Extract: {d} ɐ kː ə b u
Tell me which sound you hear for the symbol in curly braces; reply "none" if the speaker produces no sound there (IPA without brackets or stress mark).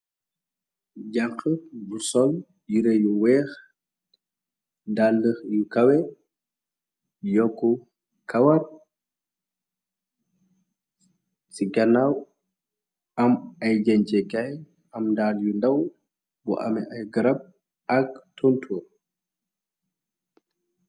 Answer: ɟ